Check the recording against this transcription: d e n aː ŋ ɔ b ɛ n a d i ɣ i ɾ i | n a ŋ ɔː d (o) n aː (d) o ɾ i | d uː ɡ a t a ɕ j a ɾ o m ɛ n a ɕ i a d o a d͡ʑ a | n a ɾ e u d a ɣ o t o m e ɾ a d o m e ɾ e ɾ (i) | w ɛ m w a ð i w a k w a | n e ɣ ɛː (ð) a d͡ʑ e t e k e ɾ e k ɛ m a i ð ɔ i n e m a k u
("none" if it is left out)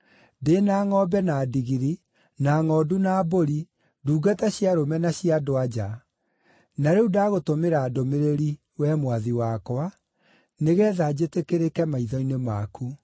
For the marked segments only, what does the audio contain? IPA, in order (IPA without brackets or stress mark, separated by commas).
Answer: u, b, i, ð